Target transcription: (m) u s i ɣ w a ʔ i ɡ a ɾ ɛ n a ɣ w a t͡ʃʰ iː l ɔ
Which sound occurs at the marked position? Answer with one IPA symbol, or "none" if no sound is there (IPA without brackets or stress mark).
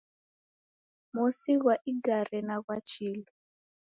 m